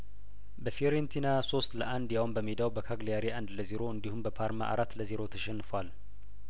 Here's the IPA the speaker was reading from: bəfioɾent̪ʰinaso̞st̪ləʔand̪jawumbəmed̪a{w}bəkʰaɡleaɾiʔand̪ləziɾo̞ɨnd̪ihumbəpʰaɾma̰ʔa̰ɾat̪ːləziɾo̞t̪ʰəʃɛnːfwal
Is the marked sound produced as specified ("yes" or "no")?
yes